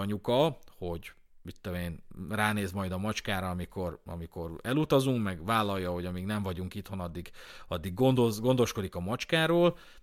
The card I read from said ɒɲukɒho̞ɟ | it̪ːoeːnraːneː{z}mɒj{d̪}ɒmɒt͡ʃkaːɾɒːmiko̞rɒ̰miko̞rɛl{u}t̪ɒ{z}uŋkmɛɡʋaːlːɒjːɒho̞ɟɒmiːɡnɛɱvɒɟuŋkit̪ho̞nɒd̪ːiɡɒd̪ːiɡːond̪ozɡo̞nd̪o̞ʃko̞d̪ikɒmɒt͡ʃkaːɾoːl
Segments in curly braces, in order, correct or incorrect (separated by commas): correct, correct, correct, correct